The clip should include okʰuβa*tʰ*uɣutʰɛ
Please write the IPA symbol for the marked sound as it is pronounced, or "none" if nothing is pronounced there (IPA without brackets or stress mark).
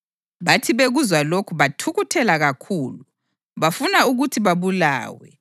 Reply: tʰ